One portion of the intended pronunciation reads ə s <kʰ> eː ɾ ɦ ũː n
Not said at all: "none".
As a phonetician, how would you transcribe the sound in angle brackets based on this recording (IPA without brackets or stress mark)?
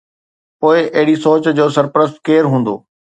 k